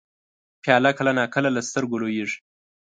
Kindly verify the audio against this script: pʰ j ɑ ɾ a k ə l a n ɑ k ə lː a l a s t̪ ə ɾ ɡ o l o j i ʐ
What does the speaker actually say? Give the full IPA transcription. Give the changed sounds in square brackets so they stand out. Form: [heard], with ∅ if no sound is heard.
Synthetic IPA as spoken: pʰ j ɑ [l] a k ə l a n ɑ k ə [l] a l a s t̪ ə ɾ ɡ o l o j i ʐ